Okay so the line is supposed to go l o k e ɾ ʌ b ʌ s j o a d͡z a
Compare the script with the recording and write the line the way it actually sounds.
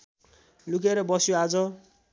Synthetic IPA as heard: l u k e ɾ ʌ b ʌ s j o a d͡z ʌ

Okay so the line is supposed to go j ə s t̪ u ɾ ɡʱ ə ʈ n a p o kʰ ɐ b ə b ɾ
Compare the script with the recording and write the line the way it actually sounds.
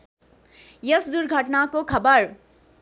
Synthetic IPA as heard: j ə s d̪ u ɾ ɡʱ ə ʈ n a k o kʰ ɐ b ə ɾ

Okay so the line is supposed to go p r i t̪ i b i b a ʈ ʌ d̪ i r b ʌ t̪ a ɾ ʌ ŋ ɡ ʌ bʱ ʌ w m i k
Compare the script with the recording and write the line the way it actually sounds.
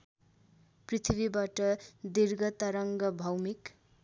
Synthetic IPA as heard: p r i t̪ʰ i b i b a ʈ ʌ d̪ i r ɡ ʌ t̪ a ɾ ʌ ŋ ɡ ʌ bʱ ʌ w m i k

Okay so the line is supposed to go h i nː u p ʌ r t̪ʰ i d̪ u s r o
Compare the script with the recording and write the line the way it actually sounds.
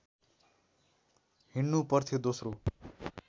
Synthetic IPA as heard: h i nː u p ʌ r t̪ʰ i d̪ o s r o

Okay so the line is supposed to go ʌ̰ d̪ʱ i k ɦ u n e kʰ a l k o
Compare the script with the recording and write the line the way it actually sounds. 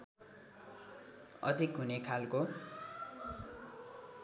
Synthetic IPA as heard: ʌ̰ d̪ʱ i k ɦ u n e kʰ a l k o

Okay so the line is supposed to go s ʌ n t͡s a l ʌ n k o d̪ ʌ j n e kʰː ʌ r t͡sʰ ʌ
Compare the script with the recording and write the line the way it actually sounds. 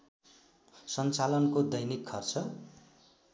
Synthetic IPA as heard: s ʌ n t͡s a l ʌ n k o d̪ ʌ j n i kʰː ʌ r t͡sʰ ʌ

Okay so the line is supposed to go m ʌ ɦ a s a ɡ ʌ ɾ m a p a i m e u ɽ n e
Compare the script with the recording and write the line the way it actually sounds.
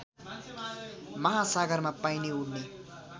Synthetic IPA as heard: m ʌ ɦ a s a ɡ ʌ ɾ m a p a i n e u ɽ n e

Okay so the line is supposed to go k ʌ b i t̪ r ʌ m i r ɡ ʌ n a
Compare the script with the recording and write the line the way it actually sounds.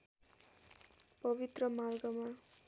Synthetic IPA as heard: p ʌ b i t̪ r ʌ m a r ɡ ʌ m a

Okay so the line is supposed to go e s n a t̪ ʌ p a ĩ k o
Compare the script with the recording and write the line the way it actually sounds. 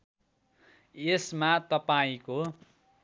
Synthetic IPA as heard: e s m a t̪ ʌ p a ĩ k o

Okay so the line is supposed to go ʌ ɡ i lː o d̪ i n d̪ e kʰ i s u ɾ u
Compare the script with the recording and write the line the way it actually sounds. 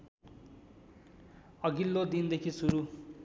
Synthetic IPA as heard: ʌ ɡ i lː o d̪ i n d̪ e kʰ i s u ɾ u

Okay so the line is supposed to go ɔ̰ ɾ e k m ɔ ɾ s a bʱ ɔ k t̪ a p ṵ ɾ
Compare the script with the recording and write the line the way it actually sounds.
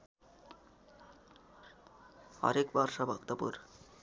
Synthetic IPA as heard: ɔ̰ ɾ e k b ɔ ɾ ʃ a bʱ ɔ k t̪ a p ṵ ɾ

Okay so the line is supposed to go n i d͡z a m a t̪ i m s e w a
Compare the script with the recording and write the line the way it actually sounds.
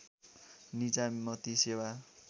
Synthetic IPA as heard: n i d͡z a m ʌ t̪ i s e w a

